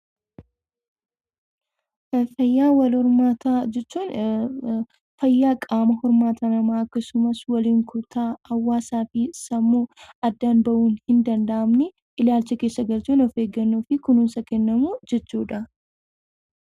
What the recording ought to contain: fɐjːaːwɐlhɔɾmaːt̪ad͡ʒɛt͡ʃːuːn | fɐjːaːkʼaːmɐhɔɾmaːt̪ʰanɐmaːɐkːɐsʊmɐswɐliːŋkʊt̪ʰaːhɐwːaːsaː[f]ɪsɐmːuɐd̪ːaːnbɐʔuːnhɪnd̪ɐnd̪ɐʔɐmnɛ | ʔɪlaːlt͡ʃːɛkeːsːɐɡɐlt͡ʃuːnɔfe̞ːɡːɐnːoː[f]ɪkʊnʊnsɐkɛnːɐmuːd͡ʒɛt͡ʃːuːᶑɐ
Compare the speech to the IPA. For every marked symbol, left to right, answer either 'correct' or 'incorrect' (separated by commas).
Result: correct, correct